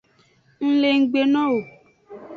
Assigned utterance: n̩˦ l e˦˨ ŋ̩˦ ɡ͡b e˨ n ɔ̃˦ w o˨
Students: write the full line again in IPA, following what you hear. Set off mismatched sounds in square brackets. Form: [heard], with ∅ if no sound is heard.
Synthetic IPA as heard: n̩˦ l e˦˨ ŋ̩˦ ɡ͡b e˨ n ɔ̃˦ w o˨